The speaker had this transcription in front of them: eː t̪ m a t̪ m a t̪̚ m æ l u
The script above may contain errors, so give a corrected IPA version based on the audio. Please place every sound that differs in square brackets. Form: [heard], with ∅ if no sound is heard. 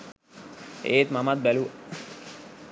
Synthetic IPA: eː t̪ m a [∅] m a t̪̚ [b] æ l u